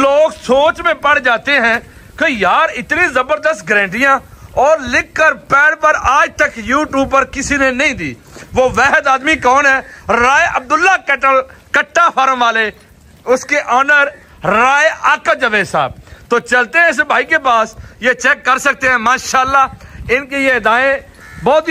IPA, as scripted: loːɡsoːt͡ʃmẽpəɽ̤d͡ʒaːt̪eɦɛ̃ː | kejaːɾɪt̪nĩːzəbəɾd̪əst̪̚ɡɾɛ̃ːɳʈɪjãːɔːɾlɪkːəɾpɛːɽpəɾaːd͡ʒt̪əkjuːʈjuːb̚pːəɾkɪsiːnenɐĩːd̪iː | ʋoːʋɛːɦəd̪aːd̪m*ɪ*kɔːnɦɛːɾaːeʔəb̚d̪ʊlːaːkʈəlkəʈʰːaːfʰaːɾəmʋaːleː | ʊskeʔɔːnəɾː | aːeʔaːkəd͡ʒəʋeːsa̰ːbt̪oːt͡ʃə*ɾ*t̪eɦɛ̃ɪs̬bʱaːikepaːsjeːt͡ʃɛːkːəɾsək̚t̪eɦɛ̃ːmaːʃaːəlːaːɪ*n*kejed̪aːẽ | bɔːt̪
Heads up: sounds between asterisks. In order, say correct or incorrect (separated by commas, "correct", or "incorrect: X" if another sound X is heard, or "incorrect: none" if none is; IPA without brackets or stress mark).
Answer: incorrect: i, incorrect: l, correct